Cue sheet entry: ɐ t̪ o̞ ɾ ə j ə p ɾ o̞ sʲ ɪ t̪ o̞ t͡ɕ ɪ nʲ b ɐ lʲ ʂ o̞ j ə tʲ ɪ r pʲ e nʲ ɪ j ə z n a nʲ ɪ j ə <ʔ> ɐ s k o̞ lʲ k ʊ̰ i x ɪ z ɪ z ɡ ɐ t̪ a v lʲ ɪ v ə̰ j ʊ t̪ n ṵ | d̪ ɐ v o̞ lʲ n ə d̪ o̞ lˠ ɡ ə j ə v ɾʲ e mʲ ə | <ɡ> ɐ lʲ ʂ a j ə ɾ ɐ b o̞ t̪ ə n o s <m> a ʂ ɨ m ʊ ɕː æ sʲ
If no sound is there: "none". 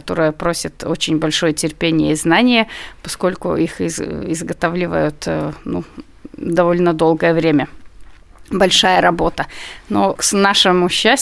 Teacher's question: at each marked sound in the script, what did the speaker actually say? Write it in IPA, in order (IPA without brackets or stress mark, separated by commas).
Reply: p, b, n